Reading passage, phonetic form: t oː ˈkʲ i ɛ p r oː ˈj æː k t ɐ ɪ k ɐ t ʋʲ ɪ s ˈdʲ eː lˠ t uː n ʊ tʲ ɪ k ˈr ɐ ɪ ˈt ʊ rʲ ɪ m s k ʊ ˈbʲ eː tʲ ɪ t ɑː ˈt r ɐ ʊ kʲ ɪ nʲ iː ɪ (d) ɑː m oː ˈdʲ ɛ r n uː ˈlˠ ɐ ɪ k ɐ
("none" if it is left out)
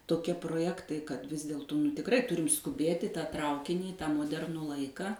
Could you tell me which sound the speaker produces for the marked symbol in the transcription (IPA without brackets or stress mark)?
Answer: t